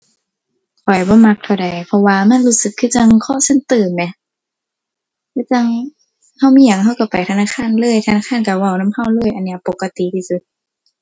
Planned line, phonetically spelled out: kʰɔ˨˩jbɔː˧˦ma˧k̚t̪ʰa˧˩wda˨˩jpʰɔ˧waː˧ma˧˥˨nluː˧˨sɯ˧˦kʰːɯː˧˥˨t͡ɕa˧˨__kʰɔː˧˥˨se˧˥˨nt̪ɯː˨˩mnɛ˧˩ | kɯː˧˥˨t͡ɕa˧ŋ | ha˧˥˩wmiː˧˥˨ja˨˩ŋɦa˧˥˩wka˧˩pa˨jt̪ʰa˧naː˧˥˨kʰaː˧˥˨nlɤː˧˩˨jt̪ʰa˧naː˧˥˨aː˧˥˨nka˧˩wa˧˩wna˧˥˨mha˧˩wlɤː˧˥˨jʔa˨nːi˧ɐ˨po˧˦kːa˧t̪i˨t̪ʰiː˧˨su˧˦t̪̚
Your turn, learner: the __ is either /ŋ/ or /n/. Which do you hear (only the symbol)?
ŋ